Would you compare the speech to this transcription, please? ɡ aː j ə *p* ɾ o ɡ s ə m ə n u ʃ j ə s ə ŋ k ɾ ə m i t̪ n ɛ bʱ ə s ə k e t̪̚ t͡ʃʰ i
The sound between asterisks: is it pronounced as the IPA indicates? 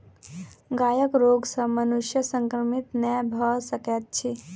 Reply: no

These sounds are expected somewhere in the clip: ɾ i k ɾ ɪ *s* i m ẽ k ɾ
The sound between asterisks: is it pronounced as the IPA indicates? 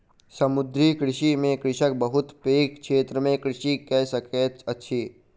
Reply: no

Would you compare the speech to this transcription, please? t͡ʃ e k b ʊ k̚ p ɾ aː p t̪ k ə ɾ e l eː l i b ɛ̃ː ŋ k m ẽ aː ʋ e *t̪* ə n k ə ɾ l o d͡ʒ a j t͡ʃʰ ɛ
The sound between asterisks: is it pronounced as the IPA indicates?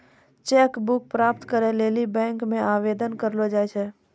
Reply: no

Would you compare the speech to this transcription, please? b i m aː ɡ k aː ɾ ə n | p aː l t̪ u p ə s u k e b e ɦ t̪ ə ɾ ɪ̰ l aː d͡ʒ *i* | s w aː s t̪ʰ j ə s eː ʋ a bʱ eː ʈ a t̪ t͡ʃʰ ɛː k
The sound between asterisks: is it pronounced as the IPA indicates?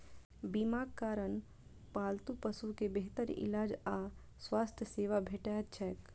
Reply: no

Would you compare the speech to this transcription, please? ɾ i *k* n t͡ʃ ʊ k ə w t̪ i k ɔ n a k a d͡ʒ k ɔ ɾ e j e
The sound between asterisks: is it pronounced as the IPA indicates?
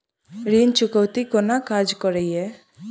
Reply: no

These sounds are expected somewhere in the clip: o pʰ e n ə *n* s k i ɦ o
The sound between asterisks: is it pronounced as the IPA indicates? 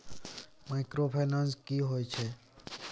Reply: yes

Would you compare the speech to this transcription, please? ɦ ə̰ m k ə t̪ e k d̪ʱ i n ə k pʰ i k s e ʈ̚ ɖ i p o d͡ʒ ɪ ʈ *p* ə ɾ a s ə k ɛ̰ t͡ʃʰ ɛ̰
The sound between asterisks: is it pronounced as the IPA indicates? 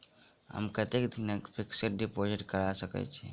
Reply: no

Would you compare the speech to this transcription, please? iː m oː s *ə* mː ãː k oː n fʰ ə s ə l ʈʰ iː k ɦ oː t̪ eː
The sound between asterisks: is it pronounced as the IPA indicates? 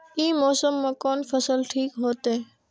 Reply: yes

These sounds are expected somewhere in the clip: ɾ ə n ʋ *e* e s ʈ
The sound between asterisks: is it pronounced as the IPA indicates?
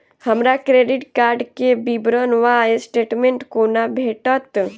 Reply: no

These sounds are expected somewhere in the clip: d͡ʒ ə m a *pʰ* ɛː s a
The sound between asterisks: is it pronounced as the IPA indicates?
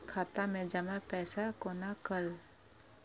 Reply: no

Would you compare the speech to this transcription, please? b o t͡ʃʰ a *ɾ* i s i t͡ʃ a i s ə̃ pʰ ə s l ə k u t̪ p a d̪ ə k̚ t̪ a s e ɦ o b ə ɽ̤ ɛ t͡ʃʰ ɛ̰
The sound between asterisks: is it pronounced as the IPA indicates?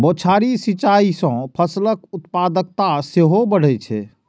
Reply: yes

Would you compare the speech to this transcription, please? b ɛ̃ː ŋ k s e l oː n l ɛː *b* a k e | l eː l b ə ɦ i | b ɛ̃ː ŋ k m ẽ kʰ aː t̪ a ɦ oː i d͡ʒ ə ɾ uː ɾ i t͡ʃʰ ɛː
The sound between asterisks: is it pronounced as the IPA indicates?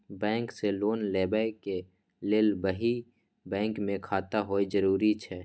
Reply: yes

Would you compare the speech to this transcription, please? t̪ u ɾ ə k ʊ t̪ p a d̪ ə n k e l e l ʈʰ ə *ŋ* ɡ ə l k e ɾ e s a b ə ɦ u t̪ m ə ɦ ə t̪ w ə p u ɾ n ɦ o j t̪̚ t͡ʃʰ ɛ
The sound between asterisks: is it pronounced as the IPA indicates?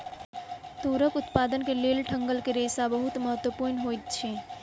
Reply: yes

